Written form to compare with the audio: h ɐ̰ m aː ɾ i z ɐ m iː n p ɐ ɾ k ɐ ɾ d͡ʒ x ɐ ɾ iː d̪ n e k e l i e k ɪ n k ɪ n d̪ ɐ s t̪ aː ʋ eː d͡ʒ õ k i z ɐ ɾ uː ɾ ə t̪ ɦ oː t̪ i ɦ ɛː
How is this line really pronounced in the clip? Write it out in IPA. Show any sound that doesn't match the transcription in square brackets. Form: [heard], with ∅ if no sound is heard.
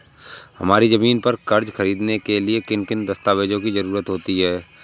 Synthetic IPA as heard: h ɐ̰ m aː ɾ i z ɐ m iː n p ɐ ɾ k ɐ ɾ d͡ʒ x ɐ ɾ iː d̪ n e k e l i e k ɪ n k ɪ n d̪ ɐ s t̪ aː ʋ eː d͡ʒ õ k i z ɐ ɾ uː ɾ ə t̪ ɦ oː t̪ i ɦ ɛː